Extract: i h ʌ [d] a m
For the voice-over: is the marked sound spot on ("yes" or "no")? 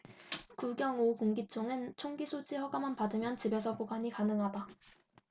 no